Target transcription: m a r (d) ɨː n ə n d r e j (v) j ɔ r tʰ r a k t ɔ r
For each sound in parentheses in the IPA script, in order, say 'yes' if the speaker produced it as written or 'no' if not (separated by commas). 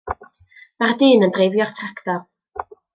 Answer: yes, yes